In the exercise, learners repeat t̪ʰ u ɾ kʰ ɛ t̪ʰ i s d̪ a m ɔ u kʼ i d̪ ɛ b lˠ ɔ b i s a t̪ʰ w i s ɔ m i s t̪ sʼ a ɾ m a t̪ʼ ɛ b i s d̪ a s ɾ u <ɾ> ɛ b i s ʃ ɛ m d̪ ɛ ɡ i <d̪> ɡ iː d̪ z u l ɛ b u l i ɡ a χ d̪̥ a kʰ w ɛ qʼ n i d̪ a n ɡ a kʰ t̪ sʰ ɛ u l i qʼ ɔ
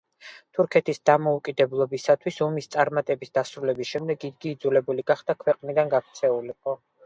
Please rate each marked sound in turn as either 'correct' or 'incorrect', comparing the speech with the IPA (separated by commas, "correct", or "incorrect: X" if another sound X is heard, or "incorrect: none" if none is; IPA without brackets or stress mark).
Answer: incorrect: l, correct